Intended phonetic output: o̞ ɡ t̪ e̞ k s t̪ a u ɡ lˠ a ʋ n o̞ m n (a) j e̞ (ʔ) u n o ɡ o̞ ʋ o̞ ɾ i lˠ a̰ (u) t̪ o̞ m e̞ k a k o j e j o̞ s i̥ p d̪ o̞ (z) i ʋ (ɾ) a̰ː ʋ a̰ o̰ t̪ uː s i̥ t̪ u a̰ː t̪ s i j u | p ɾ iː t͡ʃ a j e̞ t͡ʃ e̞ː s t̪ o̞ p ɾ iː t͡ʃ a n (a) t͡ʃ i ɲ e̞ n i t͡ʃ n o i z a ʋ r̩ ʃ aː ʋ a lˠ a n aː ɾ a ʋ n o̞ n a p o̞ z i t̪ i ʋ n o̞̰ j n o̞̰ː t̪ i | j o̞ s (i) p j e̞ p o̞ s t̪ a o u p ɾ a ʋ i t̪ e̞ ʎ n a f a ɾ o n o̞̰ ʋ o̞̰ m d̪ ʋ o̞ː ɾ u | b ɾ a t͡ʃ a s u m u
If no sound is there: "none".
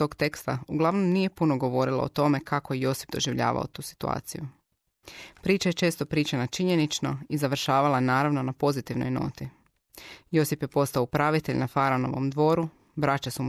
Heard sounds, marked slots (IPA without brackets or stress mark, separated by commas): i, p, o, ʒ, ʎ, a, i